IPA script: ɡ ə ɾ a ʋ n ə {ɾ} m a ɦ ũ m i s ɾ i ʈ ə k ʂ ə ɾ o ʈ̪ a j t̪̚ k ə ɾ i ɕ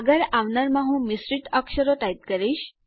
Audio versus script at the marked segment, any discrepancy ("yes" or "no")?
no